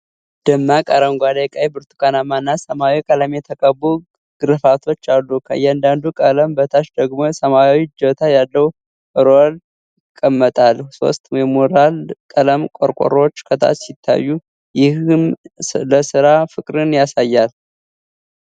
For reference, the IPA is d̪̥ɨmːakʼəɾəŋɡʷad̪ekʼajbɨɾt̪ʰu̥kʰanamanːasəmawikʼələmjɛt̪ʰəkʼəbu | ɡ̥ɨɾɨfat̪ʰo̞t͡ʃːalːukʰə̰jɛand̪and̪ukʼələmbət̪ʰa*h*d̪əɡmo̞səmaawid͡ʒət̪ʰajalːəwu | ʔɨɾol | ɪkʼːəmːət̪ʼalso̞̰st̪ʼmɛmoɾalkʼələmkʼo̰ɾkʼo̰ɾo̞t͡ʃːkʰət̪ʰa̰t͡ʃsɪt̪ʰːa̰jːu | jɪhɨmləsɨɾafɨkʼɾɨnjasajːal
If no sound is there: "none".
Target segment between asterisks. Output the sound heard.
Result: ʃ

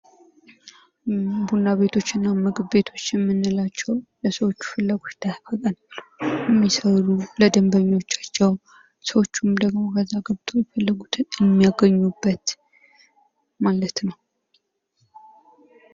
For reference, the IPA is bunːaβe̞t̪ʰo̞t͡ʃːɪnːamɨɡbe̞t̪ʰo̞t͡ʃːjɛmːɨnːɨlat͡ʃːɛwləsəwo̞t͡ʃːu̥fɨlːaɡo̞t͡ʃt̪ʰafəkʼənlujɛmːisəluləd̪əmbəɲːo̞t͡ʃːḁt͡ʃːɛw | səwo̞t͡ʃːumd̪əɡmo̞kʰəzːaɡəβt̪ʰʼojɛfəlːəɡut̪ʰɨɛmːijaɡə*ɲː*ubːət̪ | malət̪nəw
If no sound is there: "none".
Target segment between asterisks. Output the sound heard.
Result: ɲː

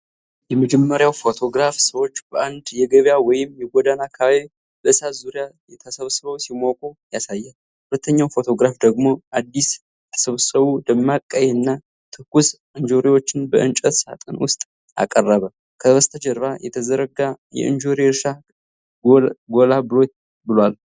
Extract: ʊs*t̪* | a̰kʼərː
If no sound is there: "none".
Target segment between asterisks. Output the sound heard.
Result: t̪ʼ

